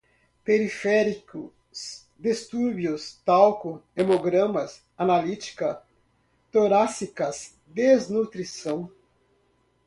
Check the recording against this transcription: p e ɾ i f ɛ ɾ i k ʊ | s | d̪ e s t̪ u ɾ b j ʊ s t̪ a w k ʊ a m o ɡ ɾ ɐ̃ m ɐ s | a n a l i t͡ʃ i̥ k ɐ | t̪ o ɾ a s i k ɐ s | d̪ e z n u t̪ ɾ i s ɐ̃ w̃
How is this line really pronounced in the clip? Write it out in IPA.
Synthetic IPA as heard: p e ɾ i f ɛ ɾ i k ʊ | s | d̪ e s t̪ u ɾ b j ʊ s t̪ a w k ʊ e m o ɡ ɾ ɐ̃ m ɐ s | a n a l i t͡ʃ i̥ k ɐ | t̪ o ɾ a s i k ɐ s | d̪ e z n u t̪ ɾ i s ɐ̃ w̃